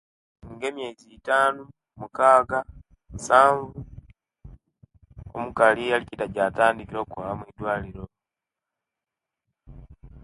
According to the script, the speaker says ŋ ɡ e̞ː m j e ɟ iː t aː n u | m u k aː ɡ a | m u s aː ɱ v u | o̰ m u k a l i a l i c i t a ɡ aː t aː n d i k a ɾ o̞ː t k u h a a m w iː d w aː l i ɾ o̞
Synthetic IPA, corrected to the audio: ŋ ɡ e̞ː m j e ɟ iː t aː n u | m u k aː ɡ a | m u s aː ɱ v u | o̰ m u k a l i a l i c i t a ɟ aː t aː n d i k i ɾ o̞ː k u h a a m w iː d w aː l i ɾ o̞